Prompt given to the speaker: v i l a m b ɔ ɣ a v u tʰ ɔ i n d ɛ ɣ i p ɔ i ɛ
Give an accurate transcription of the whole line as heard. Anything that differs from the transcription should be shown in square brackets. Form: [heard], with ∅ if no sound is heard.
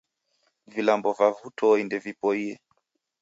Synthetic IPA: v i l a m b ɔ [v] a v u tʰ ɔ i n d ɛ [v] i p ɔ i ɛ